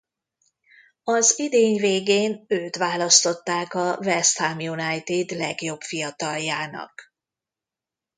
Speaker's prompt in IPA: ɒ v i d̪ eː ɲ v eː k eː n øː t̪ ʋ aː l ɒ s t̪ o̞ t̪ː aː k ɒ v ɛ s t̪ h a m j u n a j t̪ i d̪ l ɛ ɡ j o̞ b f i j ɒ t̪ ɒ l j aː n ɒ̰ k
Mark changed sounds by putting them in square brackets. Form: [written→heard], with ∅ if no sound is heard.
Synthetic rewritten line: ɒ [v→z] i d̪ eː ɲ v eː [k→ɡ] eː n øː t̪ ʋ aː l ɒ s t̪ o̞ t̪ː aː k ɒ v ɛ s t̪ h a m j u n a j t̪ i d̪ l ɛ ɡ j o̞ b f i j ɒ t̪ ɒ l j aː n ɒ̰ k

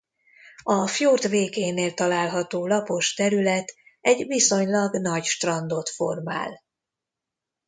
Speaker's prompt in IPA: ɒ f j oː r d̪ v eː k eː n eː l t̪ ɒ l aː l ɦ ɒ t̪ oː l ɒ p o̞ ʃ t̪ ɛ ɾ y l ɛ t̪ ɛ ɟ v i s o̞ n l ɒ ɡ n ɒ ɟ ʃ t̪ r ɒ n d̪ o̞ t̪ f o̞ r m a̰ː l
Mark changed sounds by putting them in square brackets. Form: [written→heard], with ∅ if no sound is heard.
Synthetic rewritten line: ɒ f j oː r [d̪→t̪] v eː k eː n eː l t̪ ɒ l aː l ɦ ɒ t̪ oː l ɒ p o̞ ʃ t̪ ɛ ɾ y l ɛ t̪ ɛ ɟ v i s o̞ [n→ɲ] l ɒ ɡ n ɒ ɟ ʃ t̪ r ɒ n d̪ o̞ t̪ f o̞ r m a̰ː l

